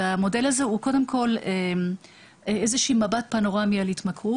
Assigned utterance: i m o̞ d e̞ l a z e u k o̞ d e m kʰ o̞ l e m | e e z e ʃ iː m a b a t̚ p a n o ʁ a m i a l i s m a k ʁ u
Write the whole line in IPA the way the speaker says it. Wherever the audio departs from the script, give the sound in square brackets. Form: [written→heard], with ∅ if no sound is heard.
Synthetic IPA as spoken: [i→a] m o̞ d e̞ l a z e u k o̞ d e m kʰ o̞ l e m | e e z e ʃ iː m a b a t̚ p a n o ʁ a m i a l i [s→t] m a k ʁ u